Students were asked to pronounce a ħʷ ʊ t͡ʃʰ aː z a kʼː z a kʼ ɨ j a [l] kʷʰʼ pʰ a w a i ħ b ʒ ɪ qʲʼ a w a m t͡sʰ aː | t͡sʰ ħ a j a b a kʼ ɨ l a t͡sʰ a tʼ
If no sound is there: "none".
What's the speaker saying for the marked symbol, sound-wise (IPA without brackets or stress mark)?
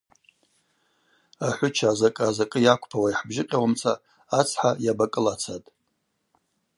none